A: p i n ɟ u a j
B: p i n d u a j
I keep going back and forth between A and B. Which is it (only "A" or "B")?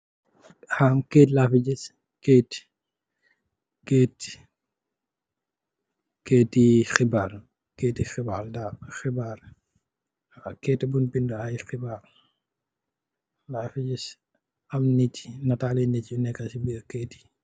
B